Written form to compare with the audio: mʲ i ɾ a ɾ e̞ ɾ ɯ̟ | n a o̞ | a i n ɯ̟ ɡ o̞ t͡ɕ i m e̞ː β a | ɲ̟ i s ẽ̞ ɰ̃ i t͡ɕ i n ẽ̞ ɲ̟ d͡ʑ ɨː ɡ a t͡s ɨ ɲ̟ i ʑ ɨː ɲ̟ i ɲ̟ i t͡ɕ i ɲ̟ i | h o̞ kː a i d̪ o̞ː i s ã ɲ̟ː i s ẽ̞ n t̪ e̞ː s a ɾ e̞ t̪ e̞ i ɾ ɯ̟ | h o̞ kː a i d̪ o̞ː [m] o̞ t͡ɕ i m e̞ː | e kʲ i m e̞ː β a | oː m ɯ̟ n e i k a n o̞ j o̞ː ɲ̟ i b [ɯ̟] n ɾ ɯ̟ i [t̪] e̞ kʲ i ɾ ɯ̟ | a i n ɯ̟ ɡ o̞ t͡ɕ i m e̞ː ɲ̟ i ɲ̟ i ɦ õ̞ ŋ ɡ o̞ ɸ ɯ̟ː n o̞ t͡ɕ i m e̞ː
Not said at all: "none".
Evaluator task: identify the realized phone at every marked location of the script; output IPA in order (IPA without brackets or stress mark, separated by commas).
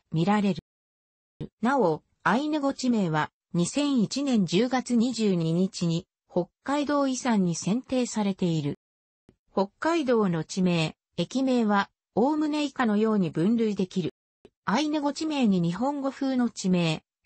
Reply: n, ɯ̟̃, d̪